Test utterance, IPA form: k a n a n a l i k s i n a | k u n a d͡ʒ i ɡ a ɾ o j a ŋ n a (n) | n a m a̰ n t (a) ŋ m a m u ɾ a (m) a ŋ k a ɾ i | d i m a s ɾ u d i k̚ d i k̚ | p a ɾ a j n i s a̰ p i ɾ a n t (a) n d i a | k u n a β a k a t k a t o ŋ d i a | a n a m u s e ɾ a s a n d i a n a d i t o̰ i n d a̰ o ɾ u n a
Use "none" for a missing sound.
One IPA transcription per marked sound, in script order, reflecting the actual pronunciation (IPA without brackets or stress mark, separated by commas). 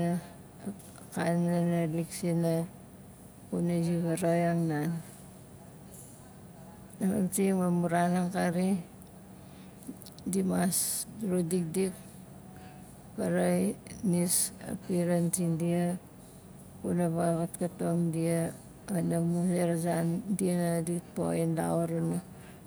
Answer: n, i, n, i